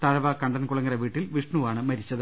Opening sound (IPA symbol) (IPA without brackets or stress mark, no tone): t̪